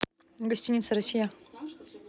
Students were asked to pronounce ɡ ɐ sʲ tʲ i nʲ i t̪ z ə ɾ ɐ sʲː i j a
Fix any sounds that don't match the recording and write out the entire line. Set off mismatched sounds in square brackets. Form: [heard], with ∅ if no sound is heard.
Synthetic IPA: ɡ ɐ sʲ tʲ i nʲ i t̪ [s] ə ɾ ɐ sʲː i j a